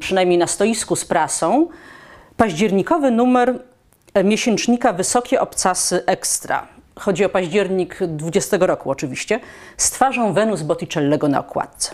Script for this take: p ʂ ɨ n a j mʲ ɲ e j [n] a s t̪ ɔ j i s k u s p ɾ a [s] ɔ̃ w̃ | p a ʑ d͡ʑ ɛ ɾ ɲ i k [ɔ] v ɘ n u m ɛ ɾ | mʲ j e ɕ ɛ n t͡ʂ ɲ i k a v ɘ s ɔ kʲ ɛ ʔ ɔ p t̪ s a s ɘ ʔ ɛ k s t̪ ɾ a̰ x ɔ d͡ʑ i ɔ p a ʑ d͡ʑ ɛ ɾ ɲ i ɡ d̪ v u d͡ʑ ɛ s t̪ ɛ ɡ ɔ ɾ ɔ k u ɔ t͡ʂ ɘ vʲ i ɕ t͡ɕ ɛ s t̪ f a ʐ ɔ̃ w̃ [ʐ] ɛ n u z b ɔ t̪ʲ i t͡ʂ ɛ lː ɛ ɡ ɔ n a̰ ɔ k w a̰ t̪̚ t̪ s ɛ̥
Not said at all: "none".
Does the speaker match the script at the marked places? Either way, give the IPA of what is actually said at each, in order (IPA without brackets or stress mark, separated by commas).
n, s, ɔ, v